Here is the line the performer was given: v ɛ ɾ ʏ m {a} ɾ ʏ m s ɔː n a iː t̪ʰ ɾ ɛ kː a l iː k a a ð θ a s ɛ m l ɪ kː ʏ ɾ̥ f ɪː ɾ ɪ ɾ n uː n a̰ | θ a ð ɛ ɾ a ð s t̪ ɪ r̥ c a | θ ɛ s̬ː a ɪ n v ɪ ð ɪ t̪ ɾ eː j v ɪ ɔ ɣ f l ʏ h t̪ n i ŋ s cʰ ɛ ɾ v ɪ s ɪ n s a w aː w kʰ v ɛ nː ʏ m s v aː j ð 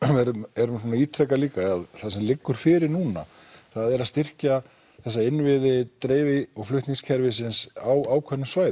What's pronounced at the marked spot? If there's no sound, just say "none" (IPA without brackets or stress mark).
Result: ɛ